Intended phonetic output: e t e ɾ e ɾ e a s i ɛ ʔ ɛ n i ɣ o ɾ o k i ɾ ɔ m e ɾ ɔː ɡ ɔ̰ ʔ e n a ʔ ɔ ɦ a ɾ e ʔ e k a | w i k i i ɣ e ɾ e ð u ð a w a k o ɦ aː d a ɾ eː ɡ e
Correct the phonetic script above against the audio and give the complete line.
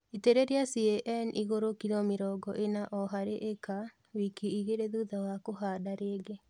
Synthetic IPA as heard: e t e ɾ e ɾ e a s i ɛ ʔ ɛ n i ɣ o ɾ o k i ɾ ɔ m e ɾ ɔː ɡ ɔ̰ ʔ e n a ʔ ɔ ɦ a ɾ e ʔ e k a | w i k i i ɣ e ɾ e ð u ð a w a k o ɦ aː d a ɾ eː ɡ e